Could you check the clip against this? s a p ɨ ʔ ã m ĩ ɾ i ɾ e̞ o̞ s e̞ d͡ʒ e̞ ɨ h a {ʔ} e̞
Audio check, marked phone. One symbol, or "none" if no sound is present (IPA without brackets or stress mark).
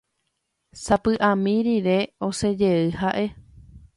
ʔ